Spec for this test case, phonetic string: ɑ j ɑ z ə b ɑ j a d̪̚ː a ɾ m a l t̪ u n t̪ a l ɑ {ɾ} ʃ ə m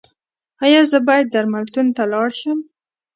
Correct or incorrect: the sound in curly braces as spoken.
incorrect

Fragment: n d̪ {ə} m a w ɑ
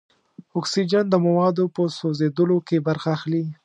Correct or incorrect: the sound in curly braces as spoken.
correct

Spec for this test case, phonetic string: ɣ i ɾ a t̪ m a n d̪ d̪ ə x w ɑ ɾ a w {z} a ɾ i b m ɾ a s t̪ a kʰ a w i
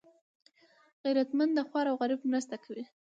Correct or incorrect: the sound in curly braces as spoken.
incorrect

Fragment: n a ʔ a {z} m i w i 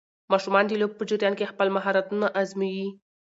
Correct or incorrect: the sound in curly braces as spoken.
correct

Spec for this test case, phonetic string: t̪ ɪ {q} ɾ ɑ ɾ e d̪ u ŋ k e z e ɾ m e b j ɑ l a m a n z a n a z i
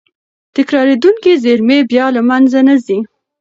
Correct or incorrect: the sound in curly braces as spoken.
incorrect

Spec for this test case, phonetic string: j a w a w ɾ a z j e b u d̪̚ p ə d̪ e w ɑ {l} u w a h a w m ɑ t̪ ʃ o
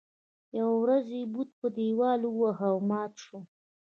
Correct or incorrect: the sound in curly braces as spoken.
correct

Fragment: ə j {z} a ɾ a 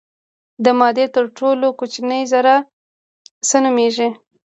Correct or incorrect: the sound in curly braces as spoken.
correct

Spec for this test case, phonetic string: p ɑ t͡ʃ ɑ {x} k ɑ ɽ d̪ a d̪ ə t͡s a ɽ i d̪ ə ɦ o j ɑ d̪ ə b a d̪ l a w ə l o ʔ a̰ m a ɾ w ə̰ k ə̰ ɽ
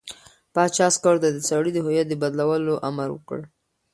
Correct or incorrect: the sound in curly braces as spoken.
incorrect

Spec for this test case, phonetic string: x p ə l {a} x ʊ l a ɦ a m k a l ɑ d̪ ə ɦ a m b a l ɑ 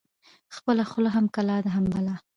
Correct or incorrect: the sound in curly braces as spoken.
correct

